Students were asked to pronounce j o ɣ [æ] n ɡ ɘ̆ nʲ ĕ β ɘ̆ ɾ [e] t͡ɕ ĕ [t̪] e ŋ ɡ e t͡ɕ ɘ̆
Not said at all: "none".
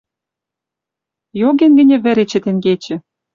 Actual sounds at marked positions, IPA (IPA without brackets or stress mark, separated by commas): e, e, t̪